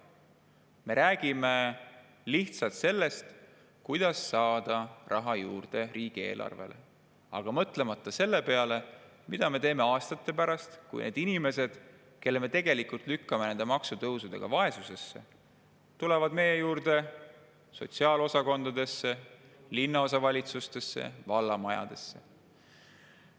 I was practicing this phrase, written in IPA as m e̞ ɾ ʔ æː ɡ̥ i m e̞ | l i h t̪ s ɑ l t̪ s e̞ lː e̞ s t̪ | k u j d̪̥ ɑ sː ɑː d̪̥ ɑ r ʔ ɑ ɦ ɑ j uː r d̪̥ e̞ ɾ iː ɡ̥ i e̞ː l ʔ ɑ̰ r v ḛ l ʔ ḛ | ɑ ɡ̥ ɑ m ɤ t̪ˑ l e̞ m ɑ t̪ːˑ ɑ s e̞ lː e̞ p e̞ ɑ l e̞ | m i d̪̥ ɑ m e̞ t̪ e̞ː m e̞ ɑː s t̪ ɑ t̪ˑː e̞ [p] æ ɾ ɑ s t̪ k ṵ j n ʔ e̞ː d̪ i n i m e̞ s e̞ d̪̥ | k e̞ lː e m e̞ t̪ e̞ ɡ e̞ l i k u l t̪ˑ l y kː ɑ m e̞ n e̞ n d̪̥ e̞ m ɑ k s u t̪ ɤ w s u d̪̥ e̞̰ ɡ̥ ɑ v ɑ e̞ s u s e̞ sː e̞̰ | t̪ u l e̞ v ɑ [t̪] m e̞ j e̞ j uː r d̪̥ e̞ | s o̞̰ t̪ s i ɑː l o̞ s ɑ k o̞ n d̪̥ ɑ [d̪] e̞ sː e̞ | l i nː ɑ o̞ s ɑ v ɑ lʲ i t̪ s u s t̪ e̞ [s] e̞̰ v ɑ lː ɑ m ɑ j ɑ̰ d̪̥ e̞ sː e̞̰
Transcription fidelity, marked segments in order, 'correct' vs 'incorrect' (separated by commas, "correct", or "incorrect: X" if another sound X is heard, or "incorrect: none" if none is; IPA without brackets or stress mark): correct, incorrect: d̪, correct, incorrect: sː